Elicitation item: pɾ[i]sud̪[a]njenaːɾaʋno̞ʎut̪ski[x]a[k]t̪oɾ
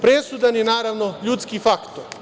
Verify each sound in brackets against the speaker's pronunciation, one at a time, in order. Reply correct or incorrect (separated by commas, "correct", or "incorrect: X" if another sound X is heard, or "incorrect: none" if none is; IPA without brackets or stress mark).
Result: incorrect: e, correct, incorrect: f, correct